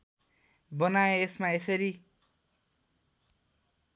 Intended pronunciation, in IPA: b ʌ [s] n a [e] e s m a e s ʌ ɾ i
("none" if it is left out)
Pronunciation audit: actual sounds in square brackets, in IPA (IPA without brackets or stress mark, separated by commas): none, e